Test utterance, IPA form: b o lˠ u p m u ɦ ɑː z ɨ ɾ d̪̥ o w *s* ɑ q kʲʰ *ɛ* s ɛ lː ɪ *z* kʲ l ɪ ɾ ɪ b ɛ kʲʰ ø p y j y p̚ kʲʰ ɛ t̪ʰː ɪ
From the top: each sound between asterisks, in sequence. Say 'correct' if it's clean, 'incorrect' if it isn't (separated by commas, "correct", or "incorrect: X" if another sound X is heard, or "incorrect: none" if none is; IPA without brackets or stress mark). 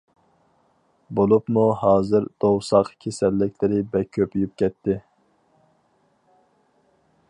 correct, incorrect: e, incorrect: none